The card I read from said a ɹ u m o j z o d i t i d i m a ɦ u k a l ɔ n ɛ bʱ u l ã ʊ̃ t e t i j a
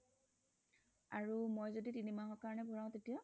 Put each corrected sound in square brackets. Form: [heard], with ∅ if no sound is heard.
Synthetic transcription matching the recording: a ɹ u m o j z o d i t i [n] i m a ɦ [ɔ] k a [ɹ] ɔ n ɛ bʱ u [ɹ] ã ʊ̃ t e t i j a